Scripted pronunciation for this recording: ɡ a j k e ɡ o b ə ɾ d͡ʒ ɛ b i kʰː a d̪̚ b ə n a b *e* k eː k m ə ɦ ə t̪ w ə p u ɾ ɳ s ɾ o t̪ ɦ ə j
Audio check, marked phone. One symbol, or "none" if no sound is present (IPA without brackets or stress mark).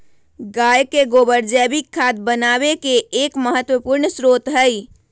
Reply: e